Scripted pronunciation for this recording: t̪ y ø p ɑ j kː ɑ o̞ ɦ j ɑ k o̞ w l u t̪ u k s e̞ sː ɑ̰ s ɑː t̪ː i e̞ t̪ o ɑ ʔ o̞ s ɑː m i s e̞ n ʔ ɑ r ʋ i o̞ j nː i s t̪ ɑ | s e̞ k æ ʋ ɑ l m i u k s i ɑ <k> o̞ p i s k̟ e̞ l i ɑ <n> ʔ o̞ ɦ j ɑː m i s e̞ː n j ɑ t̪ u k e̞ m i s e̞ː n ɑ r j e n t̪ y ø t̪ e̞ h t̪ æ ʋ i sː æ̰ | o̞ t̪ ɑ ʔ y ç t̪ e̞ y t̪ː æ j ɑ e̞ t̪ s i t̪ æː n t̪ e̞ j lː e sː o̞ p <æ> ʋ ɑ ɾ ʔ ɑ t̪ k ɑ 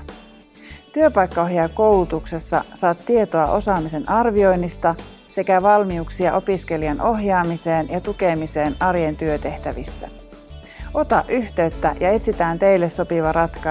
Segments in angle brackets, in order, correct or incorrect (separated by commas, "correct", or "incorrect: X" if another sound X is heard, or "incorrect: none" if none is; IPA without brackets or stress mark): incorrect: ʔ, correct, incorrect: i